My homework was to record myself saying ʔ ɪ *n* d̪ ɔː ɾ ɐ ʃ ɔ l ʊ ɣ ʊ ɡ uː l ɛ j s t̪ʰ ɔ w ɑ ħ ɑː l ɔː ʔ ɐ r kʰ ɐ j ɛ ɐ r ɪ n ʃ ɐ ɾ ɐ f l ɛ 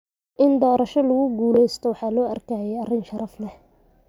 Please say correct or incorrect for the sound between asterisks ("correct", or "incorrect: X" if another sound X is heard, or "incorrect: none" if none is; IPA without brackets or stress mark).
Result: correct